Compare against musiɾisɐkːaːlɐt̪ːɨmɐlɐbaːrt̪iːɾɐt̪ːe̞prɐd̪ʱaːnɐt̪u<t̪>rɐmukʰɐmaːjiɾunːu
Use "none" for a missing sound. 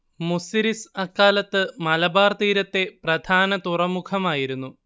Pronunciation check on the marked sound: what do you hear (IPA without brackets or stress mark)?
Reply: none